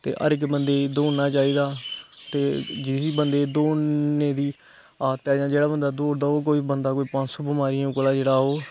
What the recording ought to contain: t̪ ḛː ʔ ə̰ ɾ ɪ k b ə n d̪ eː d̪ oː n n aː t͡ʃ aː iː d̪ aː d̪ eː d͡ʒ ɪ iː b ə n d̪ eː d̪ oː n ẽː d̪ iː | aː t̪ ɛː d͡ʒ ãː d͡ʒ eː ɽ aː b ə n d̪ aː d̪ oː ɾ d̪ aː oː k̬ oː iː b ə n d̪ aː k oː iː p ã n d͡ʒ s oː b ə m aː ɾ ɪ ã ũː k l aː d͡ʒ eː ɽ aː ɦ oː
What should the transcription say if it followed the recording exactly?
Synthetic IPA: t̪ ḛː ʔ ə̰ ɾ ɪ k b ə n d̪ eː d̪ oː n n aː t͡ʃ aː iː d̪ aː t̪ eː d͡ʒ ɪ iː b ə n d̪ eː d̪ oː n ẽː d̪ iː | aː t̪ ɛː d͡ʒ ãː d͡ʒ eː ɽ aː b ə n d̪ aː d̪ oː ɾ d̪ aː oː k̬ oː iː b ə n d̪ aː k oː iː p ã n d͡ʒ s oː b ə m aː ɾ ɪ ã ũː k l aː d͡ʒ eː ɽ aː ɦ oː